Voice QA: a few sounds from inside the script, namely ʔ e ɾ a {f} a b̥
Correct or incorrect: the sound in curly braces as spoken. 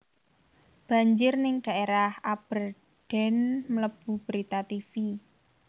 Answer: incorrect: h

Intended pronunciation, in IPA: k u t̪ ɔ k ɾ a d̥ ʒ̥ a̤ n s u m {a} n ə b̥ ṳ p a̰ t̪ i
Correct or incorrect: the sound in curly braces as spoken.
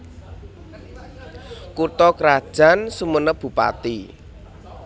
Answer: incorrect: ə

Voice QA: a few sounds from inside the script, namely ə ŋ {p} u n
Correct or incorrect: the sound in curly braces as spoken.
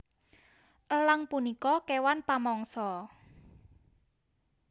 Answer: correct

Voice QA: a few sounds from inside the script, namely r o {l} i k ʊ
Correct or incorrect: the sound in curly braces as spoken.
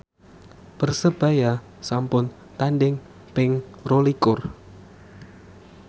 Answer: correct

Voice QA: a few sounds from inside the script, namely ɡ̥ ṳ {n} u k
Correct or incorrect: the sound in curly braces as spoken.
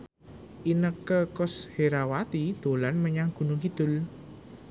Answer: correct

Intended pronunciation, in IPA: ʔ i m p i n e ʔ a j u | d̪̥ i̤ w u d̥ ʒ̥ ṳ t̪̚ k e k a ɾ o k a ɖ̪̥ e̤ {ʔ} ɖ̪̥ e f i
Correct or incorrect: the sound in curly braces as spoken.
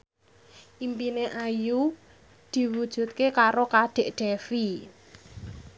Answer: correct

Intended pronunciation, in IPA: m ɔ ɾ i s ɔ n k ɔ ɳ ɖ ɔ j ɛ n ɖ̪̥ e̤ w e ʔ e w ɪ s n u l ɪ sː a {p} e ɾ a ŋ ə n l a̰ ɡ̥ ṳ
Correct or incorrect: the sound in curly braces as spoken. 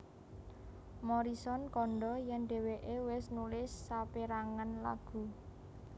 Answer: correct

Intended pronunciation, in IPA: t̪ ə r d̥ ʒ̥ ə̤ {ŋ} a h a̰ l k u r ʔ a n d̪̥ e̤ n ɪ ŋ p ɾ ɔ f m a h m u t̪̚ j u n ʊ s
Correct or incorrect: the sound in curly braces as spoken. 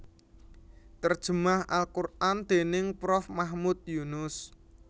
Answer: incorrect: m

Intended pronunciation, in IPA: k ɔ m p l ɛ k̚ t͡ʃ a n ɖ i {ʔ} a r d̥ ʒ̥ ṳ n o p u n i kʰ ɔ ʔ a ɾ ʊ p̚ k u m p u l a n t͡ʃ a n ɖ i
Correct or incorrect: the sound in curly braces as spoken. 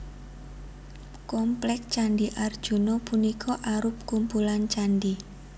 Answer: correct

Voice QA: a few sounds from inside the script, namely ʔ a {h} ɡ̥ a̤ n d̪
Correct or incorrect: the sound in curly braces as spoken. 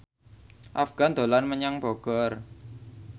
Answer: incorrect: f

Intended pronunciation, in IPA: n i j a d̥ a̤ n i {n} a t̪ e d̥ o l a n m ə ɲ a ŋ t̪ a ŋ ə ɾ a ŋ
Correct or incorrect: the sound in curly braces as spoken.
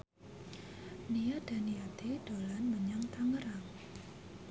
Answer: incorrect: none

